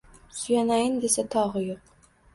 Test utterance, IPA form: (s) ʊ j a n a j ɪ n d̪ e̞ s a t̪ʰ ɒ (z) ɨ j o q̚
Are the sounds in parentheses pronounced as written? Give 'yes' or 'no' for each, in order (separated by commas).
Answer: yes, no